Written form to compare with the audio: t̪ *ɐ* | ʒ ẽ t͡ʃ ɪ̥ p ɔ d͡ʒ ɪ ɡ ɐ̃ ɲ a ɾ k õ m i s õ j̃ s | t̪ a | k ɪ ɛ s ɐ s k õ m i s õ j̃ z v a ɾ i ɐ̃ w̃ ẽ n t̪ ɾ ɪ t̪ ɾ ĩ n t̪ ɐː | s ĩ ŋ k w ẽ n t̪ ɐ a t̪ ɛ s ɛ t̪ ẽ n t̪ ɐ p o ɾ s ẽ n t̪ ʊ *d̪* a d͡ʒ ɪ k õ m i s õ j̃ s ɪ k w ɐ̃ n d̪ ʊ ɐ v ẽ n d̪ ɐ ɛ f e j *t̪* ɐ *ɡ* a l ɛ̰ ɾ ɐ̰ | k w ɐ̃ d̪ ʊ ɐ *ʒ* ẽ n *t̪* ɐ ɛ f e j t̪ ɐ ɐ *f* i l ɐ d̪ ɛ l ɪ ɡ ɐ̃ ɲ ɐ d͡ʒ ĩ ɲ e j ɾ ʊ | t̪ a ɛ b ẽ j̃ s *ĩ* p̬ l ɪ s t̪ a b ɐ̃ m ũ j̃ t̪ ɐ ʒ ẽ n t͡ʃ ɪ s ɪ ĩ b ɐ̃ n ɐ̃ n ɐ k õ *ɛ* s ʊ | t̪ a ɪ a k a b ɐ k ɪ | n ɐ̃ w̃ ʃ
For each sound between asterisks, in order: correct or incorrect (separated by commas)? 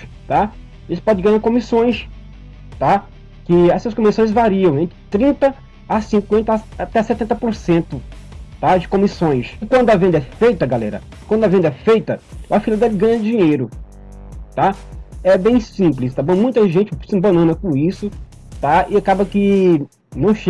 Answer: incorrect, incorrect, correct, correct, incorrect, incorrect, correct, correct, incorrect